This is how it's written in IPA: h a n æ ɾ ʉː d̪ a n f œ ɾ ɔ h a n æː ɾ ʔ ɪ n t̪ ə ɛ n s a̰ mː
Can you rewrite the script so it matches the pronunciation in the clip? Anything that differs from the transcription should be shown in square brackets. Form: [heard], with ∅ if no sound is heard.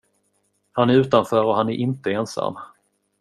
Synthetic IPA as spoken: h a n æ ɾ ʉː [t̪] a n f [œː] ɾ ɔ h a n [æ] ɾ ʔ ɪ n t̪ ə ɛ n s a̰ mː

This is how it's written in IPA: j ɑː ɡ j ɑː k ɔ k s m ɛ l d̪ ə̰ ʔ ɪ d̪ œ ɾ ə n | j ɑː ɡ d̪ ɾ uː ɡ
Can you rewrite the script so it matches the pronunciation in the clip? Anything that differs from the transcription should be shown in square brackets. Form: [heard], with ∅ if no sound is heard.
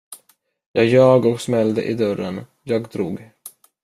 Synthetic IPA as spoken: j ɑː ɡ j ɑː [ɡ] ɔ k s m ɛ l d̪ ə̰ ʔ ɪ d̪ œ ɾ ə n | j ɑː ɡ d̪ ɾ uː ɡ

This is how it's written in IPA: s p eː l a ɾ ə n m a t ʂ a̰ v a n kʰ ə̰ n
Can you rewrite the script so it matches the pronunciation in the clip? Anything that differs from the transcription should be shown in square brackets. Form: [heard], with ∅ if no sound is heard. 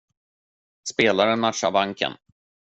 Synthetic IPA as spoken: s p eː l a ɾ ə n m a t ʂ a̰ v a [ŋ] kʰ ə̰ n

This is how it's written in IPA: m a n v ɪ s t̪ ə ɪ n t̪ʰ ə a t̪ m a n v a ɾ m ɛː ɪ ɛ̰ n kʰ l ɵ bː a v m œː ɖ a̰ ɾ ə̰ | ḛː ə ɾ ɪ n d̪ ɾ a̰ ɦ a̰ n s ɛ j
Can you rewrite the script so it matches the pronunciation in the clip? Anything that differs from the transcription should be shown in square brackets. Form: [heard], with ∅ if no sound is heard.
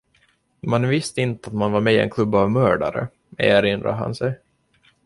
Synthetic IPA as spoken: m a n v ɪ s t̪ ə ɪ n [t̪] ə a t̪ m a n v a ɾ m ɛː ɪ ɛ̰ n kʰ l ɵ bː a v m œː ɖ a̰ ɾ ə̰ | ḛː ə ɾ ɪ n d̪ ɾ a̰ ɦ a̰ n s ɛ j

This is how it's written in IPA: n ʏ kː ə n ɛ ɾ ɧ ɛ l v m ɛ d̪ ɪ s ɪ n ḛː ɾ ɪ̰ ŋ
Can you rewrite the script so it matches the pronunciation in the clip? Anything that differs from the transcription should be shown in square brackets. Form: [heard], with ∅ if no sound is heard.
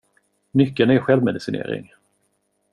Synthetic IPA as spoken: n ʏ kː ə n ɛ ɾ ɧ ɛ l v m ɛ d̪ ɪ s ɪ n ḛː ɾ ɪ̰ ŋ

